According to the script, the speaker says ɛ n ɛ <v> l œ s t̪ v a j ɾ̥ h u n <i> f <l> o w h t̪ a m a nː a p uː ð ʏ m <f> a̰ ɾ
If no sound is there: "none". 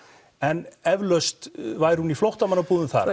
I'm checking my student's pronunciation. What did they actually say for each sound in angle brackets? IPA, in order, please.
v, i, l, θ

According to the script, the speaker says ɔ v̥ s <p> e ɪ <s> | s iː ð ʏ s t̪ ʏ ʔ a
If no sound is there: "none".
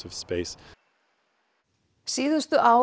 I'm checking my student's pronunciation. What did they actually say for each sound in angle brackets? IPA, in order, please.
p, s

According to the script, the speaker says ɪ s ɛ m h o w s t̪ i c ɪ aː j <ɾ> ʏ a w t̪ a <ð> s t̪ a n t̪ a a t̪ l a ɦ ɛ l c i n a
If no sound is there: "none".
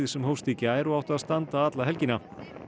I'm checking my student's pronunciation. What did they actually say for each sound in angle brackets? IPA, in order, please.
ɾ, ð

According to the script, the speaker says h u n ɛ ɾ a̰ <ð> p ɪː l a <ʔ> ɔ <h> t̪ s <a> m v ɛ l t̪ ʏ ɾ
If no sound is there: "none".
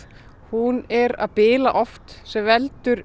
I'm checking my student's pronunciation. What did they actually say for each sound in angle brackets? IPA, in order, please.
ð, ʔ, f, ɛ

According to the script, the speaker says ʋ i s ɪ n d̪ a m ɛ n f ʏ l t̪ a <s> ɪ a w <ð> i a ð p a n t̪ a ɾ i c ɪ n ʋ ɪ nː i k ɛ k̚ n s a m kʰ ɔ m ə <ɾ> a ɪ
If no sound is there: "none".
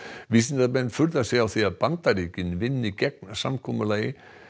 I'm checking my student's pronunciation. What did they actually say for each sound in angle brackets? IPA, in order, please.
s, θ, l

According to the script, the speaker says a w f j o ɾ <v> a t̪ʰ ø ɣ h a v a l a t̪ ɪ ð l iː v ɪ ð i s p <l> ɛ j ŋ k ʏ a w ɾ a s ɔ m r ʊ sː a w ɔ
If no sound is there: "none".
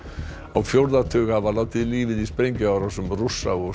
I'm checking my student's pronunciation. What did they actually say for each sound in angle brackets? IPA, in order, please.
ð, ɾ

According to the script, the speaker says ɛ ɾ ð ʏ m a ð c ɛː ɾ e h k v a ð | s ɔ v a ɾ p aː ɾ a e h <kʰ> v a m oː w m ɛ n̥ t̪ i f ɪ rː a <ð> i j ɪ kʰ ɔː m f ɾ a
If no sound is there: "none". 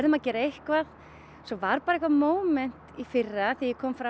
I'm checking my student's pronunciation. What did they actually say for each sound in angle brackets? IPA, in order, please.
k, θ

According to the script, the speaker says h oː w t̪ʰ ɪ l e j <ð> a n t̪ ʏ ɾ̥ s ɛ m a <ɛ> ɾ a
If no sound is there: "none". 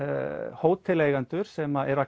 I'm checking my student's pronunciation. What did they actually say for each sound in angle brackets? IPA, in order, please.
ɣ, ɛ

